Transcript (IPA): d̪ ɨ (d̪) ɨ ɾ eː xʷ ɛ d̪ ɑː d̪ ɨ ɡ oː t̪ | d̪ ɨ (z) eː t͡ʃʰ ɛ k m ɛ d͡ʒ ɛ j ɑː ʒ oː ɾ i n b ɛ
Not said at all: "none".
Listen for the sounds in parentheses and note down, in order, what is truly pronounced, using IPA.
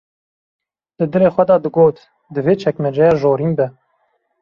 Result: d̪, v

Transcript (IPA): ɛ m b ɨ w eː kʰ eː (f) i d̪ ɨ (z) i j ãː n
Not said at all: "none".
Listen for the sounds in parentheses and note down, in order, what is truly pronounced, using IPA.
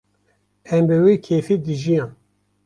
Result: f, ʒ

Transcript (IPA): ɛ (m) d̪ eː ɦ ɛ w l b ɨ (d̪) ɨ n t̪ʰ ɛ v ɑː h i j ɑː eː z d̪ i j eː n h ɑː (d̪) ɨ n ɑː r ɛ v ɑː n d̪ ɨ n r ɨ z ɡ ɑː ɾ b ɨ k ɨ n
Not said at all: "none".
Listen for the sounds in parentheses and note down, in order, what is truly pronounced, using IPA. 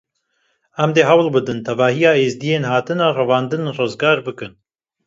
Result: m, d̪, t̪

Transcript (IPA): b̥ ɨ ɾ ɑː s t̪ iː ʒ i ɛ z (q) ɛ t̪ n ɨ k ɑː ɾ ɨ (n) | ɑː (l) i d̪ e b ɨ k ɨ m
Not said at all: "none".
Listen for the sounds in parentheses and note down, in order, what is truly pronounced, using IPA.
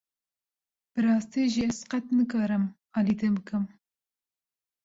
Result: q, m, l

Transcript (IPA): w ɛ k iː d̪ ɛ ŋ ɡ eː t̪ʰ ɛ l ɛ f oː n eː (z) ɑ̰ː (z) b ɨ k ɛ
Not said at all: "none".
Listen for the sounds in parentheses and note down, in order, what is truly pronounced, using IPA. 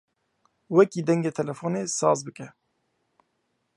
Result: s, z

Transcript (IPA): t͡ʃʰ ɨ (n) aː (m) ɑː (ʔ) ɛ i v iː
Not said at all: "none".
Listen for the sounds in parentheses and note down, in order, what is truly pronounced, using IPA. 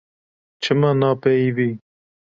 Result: m, n, p

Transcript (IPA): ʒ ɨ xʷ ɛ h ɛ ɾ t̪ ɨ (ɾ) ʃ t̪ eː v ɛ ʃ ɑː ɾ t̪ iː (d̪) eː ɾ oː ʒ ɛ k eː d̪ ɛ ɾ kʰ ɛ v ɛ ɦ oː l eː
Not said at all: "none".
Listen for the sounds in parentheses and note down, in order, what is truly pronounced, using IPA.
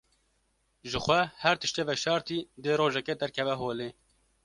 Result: none, d̪

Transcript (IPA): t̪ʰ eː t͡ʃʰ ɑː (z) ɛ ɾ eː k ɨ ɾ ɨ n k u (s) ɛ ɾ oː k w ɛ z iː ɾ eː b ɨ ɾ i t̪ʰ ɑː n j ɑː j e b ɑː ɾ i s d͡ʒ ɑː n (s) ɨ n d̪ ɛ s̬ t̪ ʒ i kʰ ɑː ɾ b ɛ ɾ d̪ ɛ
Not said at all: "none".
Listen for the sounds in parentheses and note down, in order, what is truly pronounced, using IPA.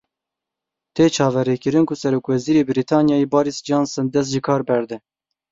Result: v, s, s

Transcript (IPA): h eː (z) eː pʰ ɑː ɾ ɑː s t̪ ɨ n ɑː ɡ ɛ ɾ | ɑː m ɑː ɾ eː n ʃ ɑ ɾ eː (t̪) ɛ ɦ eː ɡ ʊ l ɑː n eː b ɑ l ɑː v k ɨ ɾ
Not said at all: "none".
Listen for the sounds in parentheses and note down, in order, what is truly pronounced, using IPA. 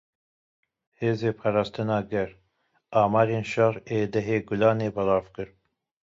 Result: z, d̪

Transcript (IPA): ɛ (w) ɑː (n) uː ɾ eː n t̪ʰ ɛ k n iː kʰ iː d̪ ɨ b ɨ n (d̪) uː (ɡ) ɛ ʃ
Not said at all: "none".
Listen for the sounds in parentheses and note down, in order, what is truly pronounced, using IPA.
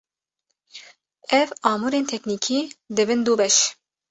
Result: v, m, d̪, b

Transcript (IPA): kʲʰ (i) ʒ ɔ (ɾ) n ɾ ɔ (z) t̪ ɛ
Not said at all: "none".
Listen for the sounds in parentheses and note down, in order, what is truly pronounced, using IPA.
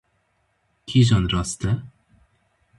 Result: i, none, s

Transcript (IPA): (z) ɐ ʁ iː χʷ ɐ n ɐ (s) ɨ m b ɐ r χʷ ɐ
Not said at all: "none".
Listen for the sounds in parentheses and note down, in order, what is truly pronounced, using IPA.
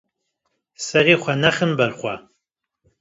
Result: s, χ

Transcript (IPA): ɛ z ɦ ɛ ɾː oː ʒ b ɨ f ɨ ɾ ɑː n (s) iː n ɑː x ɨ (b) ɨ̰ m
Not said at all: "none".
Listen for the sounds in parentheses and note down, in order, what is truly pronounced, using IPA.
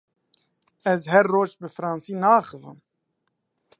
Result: s, v

